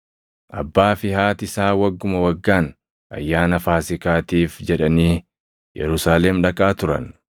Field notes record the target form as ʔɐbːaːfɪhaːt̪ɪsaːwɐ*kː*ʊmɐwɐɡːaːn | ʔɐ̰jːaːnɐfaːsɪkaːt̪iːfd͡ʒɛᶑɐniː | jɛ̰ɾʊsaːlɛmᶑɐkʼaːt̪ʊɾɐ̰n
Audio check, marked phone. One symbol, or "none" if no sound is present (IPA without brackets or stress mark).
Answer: ɡː